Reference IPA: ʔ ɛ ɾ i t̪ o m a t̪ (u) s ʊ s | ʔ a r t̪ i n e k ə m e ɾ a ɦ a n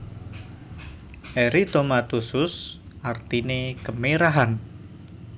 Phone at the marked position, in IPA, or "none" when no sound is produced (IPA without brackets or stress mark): u